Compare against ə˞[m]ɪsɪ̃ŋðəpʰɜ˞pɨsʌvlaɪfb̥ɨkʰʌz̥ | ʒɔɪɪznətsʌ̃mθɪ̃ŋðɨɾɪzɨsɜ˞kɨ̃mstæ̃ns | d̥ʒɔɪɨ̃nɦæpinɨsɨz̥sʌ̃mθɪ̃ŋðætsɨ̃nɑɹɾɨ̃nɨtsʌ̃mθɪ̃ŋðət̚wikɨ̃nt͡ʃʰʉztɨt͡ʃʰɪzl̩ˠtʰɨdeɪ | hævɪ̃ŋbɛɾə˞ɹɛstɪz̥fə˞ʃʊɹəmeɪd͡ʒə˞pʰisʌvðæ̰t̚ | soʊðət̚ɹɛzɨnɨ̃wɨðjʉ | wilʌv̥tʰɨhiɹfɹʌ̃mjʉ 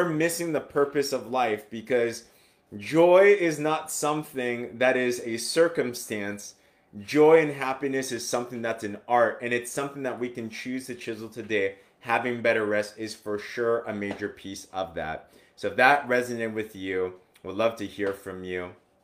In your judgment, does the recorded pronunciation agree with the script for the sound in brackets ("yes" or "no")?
yes